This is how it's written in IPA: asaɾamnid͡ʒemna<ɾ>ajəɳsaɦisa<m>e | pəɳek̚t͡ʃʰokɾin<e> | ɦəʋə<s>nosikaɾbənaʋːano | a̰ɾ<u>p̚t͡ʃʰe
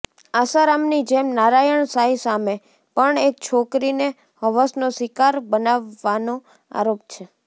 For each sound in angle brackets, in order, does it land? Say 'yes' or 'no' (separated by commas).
yes, yes, yes, yes, no